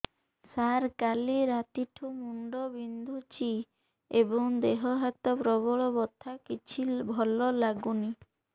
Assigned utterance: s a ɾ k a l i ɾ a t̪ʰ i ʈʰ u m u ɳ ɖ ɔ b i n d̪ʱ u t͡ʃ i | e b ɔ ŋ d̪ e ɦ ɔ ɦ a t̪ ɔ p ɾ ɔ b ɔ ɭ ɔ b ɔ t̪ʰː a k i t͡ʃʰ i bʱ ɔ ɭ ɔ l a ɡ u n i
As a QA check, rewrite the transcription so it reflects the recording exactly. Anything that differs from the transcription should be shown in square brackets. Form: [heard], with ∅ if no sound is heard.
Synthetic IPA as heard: s a ɾ k a l i ɾ a [t̪] i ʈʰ u m u ɳ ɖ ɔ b i n d̪ʱ u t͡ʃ i | e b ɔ ŋ d̪ e ɦ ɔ ɦ a t̪ ɔ p ɾ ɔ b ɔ ɭ ɔ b ɔ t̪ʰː a k i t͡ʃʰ i bʱ ɔ [l] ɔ l a ɡ u n i